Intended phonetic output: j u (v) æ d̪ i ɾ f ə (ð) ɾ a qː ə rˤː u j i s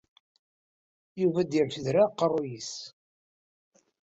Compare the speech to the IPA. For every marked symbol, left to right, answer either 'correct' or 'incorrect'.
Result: correct, correct

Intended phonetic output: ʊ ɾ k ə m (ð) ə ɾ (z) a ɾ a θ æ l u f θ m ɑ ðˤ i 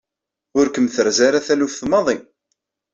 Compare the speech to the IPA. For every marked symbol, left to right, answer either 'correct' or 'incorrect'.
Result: incorrect, correct

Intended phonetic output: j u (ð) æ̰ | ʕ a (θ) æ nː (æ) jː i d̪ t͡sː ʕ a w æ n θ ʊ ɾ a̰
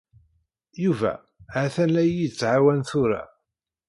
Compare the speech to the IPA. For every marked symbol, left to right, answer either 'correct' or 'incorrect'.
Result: incorrect, correct, correct

